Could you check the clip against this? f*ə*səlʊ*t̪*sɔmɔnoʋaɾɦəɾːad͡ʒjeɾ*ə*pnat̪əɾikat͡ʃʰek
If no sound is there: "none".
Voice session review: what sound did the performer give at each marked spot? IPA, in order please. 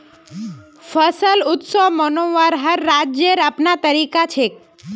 ə, t̪, a

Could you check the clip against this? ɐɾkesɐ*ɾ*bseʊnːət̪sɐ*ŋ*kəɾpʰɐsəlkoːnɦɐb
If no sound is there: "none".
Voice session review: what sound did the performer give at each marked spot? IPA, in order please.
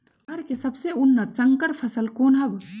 none, ŋ

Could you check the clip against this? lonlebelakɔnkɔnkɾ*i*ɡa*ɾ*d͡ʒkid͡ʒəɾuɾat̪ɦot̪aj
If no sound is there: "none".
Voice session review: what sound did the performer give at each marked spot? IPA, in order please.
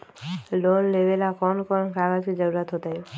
a, none

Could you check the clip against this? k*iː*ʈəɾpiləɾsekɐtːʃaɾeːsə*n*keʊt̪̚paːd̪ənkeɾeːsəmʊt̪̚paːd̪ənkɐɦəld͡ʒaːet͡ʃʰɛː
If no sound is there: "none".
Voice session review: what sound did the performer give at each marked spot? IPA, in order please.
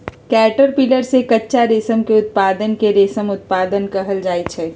ɛː, m

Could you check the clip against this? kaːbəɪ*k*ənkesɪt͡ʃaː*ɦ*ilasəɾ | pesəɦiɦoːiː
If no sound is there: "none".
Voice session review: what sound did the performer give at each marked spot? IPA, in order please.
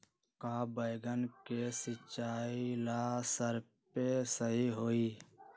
ɡ, none

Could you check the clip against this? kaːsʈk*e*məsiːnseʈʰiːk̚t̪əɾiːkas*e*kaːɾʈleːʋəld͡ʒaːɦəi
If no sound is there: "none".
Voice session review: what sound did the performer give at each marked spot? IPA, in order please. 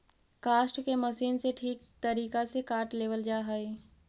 e, e

